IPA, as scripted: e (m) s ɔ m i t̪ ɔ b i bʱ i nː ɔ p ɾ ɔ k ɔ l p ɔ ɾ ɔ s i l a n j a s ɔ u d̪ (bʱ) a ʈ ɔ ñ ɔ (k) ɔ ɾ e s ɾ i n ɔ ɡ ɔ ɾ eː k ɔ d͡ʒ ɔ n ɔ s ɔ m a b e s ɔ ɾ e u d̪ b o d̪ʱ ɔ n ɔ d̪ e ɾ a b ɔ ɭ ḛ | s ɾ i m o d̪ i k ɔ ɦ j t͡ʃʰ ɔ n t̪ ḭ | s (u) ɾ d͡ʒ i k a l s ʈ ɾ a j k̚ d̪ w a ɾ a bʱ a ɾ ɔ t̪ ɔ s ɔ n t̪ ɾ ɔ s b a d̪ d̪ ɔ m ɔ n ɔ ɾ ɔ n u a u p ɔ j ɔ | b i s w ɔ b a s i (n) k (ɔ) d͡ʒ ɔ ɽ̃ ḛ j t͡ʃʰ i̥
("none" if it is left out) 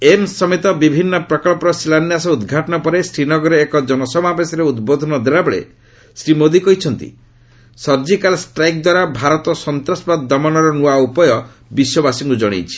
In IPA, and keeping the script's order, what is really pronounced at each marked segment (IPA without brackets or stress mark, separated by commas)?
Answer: m, ɡʱ, p, ɔ, ŋ, u